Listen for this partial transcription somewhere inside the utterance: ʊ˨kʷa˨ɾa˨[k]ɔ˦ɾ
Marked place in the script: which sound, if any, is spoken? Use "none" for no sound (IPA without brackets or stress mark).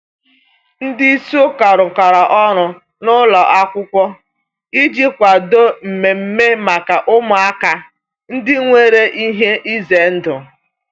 ʔ